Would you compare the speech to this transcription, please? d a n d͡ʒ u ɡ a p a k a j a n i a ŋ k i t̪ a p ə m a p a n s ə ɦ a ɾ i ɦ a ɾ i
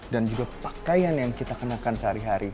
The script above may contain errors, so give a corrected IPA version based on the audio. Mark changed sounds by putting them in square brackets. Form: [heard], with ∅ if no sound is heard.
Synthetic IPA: d a n d͡ʒ u ɡ a p a k a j a n [j] a ŋ k i t̪ a [k] ə [n] a [k] a n s ə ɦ a ɾ i ɦ a ɾ i